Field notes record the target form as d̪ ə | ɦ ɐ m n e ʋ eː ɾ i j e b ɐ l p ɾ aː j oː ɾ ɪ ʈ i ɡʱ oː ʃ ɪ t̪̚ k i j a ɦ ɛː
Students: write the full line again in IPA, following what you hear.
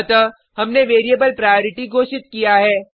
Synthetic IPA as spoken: t̪ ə | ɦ ɐ m n e ʋ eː ɾ i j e b ə l p ɾ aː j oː ɾ ɪ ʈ i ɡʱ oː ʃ ɪ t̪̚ k i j a ɦ ɛː

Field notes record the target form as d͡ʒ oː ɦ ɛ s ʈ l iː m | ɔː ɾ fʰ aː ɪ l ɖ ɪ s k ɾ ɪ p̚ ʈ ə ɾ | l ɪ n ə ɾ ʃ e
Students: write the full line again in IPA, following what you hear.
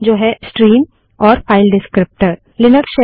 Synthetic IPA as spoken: d͡ʒ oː ɦ ɛ s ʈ ɾ iː m | ɔː ɾ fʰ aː ɪ l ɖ ɪ s k ɾ ɪ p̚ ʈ ə ɾ | l ɪ n ə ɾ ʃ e

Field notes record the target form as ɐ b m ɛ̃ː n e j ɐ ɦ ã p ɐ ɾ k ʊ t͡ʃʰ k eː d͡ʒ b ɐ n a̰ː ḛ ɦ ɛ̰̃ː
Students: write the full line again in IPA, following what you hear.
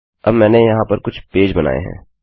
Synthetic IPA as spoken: ɐ b m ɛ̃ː n e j ɐ ɦ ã p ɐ ɾ k ʊ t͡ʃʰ p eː d͡ʒ b ɐ n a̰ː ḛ ɦ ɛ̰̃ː

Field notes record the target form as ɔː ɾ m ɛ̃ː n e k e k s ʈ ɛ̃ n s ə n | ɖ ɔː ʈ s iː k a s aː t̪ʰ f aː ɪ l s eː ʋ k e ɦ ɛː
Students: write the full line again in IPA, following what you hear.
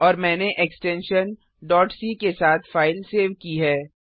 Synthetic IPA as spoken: ɔː ɾ m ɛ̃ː n e ʔ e k s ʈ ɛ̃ n ʃ ə n | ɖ ɔː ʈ s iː k e s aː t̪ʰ f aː ɪ l s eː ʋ k i ɦ ɛː

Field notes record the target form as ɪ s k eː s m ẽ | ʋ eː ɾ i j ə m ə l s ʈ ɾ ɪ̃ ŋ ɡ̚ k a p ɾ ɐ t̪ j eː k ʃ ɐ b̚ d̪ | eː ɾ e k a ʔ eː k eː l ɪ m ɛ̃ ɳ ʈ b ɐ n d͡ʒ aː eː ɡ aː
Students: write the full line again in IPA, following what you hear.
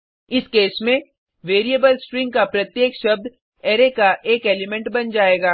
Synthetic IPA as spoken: ɪ s k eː s m ẽ | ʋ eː ɾ i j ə b ə l s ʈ ɾ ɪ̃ ŋ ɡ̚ k a p ɾ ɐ t̪ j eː k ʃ ɐ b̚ d̪ | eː ɾ e k a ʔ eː k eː l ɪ m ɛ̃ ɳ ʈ b ɐ n d͡ʒ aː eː ɡ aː

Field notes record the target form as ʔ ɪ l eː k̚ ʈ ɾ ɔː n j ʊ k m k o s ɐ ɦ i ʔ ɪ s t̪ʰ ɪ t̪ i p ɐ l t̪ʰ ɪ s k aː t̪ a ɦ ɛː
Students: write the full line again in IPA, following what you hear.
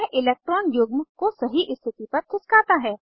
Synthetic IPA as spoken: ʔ ɪ l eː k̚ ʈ ɾ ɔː n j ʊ ɡ m k o s ɐ ɦ i ʔ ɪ s t̪ʰ ɪ t̪ i p ɐ ɾ t̪ʰ ɪ s k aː t̪ a ɦ ɛː

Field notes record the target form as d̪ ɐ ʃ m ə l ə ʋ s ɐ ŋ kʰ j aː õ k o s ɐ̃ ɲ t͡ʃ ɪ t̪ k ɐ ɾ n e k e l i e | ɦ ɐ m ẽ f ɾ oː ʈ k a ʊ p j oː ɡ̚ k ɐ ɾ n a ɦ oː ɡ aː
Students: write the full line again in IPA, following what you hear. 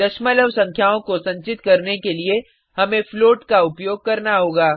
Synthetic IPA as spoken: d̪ ɐ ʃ m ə l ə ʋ s ɐ̃ ŋ kʰ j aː õ k o s ɐ̃ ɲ t͡ʃ ɪ t̪ k ɐ ɾ n e k e l i e | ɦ ɐ m ẽ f l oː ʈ k a ʊ p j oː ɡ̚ k ɐ ɾ n a ɦ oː ɡ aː

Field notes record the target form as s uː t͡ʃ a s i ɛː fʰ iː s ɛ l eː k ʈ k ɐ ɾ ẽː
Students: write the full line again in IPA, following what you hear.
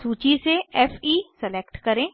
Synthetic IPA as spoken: s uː t͡ʃ i s e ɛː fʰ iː s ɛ l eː k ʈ k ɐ ɾ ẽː

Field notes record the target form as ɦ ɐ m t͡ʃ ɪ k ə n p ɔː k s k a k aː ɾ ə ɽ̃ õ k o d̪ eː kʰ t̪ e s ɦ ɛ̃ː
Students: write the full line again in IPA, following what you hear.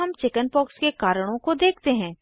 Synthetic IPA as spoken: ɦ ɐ m t͡ʃ ɪ k ə n p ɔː k s k e k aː ɾ ə ɽ̃ õ k o d̪ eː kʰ t̪ e ɦ ɛ̃ː

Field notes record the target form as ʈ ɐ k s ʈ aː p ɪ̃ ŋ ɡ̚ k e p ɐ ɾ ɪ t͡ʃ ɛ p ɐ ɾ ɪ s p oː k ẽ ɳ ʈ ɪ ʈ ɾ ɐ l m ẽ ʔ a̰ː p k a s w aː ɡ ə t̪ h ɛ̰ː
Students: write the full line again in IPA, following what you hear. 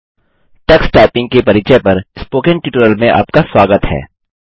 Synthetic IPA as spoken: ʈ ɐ k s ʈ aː p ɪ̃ ŋ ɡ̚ k e p ɐ ɾ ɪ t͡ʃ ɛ p ɐ ɾ ɪ s p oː k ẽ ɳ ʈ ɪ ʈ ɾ ə l m ẽ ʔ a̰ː p k a s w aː ɡ ə t̪ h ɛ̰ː

